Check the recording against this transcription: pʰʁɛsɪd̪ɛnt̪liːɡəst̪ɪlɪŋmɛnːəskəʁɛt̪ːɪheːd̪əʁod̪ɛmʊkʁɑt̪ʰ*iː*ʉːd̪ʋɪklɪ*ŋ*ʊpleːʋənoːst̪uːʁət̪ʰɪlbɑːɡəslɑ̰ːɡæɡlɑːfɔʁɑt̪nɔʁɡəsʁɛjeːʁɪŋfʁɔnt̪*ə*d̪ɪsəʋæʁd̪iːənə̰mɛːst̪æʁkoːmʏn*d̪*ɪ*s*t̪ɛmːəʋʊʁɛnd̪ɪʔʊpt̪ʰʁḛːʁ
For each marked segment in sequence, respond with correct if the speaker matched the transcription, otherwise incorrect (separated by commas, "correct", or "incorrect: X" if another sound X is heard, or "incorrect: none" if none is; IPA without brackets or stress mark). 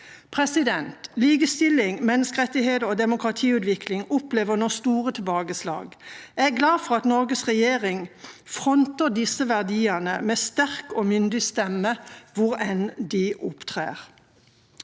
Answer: correct, correct, correct, correct, correct